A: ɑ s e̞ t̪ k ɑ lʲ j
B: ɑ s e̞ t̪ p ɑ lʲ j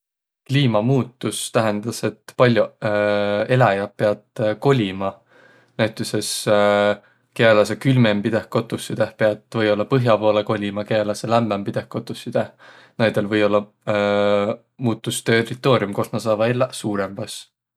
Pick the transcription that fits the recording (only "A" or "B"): B